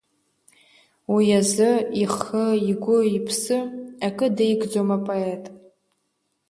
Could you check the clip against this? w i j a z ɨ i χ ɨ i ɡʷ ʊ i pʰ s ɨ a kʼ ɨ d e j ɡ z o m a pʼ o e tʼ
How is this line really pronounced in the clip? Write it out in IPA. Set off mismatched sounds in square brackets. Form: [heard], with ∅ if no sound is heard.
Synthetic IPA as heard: w i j a z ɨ i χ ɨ i ɡʷ ʊ i pʰ s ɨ a kʼ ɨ d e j ɡ [d͡z] o m a pʼ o e tʼ